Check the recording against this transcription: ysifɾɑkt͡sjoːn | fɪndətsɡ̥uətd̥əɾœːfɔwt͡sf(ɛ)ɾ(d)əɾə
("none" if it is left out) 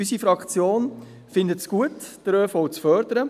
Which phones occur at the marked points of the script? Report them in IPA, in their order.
œ, d

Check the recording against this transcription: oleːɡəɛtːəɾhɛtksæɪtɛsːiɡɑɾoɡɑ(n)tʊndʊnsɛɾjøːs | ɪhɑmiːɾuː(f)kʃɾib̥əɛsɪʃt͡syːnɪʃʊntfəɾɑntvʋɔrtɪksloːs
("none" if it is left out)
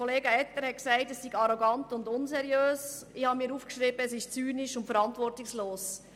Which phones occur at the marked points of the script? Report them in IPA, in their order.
n, f

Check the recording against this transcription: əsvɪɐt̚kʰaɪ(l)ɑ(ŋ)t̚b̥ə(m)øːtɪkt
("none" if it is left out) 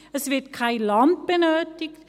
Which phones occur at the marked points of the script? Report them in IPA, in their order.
l, n, n

